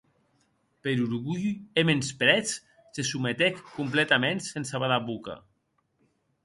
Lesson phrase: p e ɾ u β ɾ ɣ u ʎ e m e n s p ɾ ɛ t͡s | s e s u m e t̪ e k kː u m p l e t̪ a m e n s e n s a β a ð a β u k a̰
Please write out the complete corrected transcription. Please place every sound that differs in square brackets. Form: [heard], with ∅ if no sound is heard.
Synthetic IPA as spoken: p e ɾ u [∅] ɾ ɣ u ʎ e m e n s p ɾ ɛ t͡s | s e s u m e t̪ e k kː u m p l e t̪ a m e n s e n s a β a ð a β u k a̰